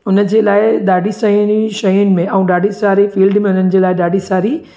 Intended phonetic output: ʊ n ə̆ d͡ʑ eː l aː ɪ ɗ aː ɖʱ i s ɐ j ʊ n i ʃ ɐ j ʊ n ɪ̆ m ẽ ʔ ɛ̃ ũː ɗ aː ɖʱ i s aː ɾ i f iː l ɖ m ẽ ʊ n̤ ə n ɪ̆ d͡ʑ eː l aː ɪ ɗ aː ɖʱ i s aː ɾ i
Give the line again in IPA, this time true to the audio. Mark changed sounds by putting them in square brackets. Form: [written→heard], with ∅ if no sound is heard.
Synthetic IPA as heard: ʊ n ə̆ d͡ʑ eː l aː ɪ ɗ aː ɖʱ i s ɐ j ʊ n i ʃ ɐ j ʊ n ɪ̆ m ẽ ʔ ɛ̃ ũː ɗ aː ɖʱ i s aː ɾ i f iː l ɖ m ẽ ʊ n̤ ə n ɪ̆ d͡ʑ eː l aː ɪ ɗ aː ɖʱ i s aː ɾ i